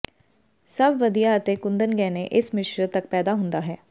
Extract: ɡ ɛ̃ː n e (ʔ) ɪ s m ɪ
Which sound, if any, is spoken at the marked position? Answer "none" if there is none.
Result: ʔ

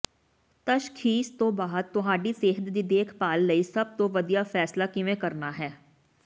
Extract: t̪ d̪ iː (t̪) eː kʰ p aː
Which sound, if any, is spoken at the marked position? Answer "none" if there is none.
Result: d̪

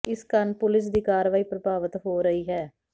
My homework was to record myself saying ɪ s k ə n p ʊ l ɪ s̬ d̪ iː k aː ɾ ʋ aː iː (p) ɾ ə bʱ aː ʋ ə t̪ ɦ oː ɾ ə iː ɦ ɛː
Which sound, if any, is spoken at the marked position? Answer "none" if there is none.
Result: p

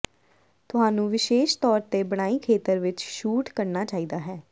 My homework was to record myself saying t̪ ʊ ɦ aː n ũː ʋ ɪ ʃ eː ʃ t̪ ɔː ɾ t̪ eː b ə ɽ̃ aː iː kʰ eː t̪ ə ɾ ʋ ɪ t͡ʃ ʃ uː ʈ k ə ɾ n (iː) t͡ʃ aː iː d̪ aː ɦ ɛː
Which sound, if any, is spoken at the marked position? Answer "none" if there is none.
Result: aː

